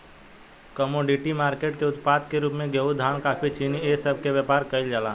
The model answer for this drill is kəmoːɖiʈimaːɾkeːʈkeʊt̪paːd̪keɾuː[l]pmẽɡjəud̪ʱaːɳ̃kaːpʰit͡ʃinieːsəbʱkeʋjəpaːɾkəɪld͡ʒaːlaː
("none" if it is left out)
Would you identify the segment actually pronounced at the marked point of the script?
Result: none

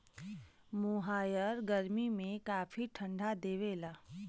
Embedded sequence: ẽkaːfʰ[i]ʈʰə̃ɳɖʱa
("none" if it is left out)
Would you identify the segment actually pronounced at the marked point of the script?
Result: i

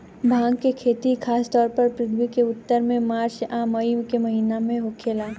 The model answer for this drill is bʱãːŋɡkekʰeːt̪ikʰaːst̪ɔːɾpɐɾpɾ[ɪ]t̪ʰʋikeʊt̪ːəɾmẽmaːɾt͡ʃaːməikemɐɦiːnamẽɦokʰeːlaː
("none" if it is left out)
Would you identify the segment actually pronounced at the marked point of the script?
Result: ɪ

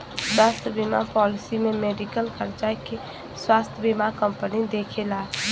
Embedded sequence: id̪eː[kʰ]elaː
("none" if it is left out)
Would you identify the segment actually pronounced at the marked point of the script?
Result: kʰ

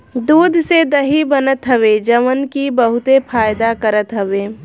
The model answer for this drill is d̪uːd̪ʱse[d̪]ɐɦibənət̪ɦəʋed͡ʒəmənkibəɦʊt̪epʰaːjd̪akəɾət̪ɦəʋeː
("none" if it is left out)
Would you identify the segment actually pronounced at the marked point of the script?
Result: d̪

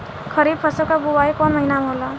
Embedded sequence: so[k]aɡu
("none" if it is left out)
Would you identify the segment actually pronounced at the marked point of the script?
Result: k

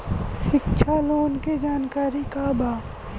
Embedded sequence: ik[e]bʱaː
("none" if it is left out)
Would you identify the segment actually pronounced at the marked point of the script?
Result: a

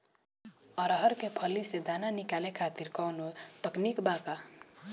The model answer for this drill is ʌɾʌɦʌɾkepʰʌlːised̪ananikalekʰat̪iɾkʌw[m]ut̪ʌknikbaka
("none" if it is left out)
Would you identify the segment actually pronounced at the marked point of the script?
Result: n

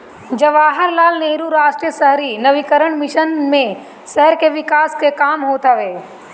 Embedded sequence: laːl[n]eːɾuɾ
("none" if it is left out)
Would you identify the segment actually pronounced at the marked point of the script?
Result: n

